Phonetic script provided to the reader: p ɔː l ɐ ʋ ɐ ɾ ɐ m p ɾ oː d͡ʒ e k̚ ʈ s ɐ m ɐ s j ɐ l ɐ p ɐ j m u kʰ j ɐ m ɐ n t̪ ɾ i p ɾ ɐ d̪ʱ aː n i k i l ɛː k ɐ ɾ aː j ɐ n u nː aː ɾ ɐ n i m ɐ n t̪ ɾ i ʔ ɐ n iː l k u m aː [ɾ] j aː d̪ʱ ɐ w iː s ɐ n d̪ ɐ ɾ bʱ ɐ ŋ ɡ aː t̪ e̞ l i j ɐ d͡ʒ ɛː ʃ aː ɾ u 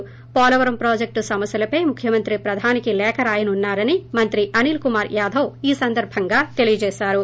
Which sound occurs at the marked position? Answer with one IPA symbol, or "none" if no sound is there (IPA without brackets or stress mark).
ɾ